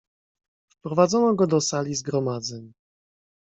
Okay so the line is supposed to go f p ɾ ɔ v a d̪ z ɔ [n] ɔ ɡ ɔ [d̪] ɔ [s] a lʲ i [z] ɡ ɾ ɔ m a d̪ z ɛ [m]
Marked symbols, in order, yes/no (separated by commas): yes, yes, yes, yes, no